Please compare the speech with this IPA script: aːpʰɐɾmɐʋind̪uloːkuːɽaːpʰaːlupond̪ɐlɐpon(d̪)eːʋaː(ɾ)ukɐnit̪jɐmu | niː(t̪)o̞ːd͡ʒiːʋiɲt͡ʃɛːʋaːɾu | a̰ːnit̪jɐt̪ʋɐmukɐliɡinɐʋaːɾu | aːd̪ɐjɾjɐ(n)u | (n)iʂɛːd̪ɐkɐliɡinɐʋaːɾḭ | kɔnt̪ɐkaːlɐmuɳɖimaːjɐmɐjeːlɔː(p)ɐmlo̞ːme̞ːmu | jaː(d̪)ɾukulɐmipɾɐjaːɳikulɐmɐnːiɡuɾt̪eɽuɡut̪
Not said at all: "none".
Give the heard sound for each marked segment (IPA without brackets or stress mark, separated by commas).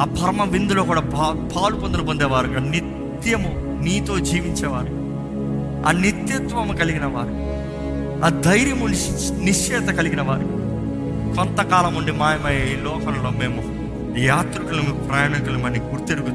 d̪, ɾ, t̪, m, n, k, t̪